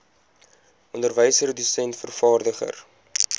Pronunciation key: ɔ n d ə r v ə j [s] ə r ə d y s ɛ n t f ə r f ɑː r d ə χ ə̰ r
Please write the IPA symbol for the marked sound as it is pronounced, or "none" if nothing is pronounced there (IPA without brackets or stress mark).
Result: s